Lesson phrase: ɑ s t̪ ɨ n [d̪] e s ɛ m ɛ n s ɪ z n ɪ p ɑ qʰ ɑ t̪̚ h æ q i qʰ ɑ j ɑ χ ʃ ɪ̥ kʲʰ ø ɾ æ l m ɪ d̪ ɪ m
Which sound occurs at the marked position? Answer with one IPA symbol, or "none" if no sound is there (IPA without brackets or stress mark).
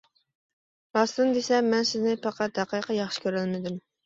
d̪